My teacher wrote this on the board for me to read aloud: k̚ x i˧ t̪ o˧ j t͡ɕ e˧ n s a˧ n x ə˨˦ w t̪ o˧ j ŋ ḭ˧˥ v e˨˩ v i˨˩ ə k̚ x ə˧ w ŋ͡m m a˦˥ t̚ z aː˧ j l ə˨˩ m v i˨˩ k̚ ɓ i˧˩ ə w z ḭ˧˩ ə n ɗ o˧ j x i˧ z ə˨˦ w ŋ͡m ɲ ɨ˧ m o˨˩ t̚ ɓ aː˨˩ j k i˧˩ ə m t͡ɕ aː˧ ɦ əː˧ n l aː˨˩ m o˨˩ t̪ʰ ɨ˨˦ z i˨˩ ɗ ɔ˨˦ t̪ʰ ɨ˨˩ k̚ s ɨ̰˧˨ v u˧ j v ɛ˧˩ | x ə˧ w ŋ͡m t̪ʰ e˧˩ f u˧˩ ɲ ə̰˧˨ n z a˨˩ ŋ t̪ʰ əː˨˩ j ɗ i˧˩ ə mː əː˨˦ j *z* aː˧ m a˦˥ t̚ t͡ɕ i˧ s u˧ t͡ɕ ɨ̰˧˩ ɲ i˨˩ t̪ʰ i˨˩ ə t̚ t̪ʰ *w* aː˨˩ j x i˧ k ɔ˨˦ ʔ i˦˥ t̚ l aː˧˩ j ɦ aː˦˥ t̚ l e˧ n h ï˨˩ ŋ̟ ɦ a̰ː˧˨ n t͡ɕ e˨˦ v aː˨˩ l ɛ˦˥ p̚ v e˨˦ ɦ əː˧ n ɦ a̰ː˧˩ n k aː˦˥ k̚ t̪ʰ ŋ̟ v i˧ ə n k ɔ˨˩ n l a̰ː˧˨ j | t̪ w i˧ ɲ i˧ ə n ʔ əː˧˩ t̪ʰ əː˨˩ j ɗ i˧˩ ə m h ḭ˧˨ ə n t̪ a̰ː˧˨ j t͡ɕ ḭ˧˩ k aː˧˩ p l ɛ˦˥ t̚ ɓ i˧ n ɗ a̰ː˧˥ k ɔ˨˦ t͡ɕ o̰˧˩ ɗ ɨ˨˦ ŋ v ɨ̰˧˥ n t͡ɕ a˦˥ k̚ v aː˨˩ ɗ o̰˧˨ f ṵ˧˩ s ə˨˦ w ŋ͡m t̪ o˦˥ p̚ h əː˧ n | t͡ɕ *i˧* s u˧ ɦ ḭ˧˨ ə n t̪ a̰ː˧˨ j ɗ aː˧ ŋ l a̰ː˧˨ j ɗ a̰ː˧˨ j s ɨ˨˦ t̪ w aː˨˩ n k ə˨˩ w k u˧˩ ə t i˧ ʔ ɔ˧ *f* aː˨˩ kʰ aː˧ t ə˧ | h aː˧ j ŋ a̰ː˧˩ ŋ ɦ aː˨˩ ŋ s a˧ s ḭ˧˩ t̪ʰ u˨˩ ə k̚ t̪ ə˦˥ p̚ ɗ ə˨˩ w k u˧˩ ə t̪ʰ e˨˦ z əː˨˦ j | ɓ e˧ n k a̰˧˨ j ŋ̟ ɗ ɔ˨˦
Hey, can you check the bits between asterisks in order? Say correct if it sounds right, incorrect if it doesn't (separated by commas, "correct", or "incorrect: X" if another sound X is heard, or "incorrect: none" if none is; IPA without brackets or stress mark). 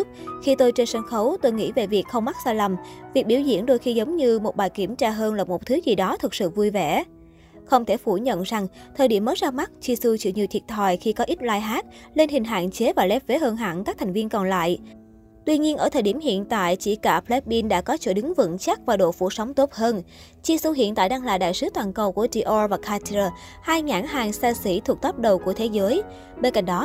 correct, correct, correct, incorrect: v